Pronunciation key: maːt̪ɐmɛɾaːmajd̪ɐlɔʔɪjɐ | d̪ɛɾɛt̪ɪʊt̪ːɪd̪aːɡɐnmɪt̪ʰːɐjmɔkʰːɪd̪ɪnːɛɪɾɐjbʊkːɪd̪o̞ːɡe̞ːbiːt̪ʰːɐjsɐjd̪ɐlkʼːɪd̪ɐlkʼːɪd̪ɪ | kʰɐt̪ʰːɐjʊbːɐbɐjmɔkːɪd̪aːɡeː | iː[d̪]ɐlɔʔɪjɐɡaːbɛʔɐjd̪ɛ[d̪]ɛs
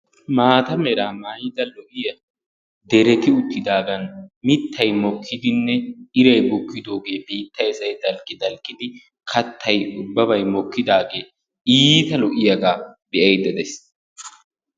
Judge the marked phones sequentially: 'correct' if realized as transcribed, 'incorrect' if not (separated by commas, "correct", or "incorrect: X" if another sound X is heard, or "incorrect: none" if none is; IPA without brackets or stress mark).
incorrect: t̪, correct